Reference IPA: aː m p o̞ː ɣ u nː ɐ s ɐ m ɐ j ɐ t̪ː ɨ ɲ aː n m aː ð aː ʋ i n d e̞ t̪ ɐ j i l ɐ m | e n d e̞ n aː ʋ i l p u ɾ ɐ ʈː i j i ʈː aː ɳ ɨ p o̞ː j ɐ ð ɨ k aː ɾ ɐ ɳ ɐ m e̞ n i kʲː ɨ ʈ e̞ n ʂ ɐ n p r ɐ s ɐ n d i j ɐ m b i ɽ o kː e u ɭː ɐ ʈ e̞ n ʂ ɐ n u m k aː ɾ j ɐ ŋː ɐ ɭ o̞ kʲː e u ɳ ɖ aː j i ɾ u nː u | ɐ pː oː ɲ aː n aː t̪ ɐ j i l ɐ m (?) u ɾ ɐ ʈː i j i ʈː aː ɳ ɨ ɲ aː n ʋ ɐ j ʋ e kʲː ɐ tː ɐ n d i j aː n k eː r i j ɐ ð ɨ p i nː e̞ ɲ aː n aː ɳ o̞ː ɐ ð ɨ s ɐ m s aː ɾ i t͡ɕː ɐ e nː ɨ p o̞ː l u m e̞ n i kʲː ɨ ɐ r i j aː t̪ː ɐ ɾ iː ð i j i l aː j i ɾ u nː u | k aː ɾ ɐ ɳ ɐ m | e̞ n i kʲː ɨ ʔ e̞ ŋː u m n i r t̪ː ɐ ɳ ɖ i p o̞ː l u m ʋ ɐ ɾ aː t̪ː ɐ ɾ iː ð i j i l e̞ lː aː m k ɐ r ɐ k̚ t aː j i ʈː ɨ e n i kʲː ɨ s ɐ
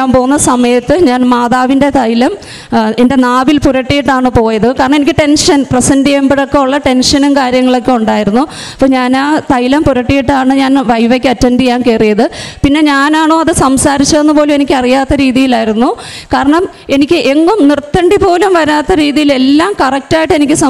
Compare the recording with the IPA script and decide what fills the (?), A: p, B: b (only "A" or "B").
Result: A